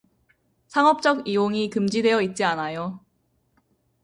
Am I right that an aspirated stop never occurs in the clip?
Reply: yes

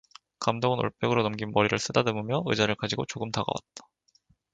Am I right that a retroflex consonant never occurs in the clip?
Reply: no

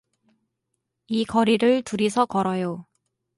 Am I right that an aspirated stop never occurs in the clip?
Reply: yes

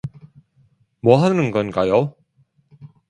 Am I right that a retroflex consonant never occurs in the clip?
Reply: yes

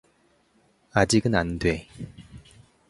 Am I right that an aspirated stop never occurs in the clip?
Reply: yes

